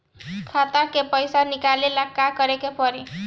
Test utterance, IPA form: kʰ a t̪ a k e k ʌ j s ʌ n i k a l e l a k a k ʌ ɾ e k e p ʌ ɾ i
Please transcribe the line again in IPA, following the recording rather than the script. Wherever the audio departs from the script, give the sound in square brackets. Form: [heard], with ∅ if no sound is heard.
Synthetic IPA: kʰ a t̪ a k e [p] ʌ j s [a] n i k a l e l a k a k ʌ ɾ e k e p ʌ ɾ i